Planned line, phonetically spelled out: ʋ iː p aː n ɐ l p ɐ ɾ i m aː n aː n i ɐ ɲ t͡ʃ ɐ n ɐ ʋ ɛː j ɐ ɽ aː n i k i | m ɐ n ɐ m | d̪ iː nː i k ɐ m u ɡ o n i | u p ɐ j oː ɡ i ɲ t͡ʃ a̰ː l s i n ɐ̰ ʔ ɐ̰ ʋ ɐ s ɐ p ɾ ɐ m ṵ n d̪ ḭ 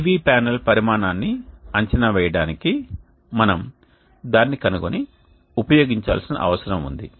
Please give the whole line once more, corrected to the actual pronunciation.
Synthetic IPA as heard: ʋ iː p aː n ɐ l p ɐ ɾ i m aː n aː nː i ɐ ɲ t͡ʃ ɐ n ɐ ʋ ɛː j ɐ ɽ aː n i k i | m ɐ n ɐ m | d̪ aː nː i k ɐ n u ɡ o n i | u p ɐ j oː ɡ i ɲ t͡ʃ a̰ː l s i n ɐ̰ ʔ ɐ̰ ʋ ɐ s ɐ ɾ ɐ m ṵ n d̪ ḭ

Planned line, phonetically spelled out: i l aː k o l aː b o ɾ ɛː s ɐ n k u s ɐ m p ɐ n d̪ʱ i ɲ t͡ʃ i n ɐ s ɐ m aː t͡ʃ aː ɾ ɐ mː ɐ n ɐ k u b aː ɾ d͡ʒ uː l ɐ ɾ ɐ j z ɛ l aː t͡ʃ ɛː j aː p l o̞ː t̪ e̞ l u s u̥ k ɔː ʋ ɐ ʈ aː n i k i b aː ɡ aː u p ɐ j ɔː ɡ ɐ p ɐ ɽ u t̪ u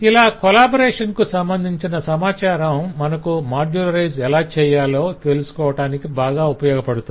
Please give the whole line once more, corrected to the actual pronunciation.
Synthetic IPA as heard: i l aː k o l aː b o ɾ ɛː ʂ ɐ n k u s ɐ m b ɐ n d̪ʱ i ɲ t͡ʃ i n ɐ s ɐ m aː t͡ʃ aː ɾ ɐ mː ɐ n ɐ k u m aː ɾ d͡ʒ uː l ɐ ɾ ɐ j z ɛ l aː t͡ʃ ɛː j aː l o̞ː t̪ e̞ l u s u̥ k ɔː ʋ ɐ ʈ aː n i k i b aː ɡ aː u p ɐ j ɔː ɡ ɐ p ɐ ɽ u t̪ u

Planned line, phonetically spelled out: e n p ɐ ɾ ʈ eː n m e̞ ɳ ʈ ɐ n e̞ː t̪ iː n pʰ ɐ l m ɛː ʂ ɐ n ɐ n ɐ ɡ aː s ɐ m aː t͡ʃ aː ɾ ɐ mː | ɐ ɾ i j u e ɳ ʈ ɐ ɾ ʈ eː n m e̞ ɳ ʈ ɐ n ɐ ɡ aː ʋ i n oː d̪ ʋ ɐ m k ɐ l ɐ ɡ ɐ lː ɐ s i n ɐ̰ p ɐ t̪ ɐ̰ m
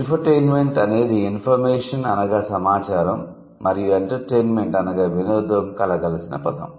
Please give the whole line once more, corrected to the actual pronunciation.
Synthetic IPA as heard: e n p ɐ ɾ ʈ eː n m e̞ ɳ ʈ ɐ n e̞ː d̪ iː n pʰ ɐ ɾ m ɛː ʂ ɐ n ɐ n ɐ ɡ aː s ɐ m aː t͡ʃ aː ɾ ɐ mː | ɐ ɾ i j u e ɳ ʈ ɐ ɾ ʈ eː n m e̞ ɳ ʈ ɐ n ɐ ɡ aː ʋ i n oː d̪ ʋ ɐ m k ɐ l ɐ ɡ ɐ l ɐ s i n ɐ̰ p ɐ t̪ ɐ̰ m

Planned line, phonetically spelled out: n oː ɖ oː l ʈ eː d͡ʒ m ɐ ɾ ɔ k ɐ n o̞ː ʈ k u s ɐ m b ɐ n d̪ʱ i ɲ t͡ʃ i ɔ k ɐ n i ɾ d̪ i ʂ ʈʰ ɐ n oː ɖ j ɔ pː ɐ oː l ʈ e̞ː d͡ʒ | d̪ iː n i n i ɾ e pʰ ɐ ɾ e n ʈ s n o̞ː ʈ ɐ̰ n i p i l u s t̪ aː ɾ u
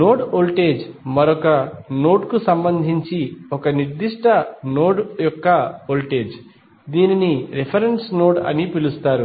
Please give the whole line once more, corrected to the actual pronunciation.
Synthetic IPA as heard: n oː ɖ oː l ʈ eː d͡ʒ m ɐ ɾ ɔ k ɐ n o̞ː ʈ k u s ɐ m b ɐ n d̪ʱ i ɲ t͡ʃ i ɔ k ɐ n i ɾ d̪ i ʂ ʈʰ ɐ n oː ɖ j ɔ kː ɐ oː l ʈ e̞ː d͡ʒ | d̪ iː n i n i ɾ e pʰ ɐ ɾ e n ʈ s n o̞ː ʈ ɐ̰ n i p i l u s t̪ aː ɾ u

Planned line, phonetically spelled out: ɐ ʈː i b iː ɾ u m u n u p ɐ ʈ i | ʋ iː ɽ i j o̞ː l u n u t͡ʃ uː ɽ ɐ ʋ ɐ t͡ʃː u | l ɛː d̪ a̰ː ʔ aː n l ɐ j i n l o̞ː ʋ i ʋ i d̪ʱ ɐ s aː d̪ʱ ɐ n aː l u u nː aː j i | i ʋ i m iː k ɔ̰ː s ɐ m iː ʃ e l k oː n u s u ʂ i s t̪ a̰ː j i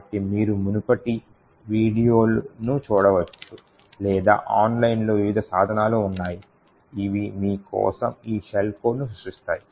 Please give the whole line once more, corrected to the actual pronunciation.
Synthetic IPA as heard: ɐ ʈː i m iː ɾ u m u n u p ɐ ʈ i | ʋ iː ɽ i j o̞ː l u n u t͡ʃ uː ɽ ɐ ʋ ɐ t͡ʃː u | l ɛː d̪ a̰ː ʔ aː n l ɐ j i n l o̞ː ʋ i ʋ i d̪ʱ ɐ s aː d̪ʱ ɐ n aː l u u nː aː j i | i ʋ i m iː k ɔ̰ː s ɐ m iː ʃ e l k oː n u s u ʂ i s t̪ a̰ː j i

